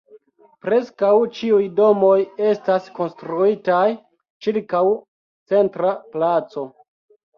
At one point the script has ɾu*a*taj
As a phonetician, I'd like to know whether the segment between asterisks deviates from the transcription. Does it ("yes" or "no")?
yes